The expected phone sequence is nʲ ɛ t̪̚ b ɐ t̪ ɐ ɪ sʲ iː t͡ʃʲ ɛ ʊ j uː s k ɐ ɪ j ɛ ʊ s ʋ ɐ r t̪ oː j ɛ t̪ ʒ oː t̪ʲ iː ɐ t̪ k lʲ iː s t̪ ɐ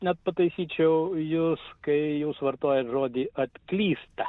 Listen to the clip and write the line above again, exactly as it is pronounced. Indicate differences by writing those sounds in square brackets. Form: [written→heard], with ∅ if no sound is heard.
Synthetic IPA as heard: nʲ ɛ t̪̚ [b→p] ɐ t̪ ɐ ɪ sʲ iː t͡ʃʲ ɛ ʊ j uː s k ɐ ɪ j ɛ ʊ s ʋ ɐ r t̪ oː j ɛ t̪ ʒ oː [t̪ʲ→d̪ʲ] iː ɐ t̪ k lʲ iː s t̪ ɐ